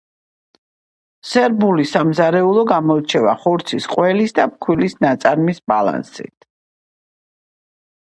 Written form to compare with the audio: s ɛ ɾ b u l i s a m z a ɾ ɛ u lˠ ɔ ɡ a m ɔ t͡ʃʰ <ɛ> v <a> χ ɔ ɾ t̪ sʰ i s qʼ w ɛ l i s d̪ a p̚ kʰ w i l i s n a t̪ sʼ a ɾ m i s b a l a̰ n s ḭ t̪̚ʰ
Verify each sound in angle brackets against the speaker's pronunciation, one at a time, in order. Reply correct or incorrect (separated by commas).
correct, correct